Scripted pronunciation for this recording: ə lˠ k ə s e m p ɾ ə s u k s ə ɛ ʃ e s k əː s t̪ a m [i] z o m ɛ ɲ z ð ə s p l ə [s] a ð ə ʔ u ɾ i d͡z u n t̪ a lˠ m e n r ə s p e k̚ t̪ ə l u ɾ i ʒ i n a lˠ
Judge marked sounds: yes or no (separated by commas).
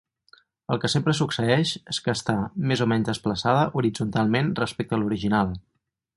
no, yes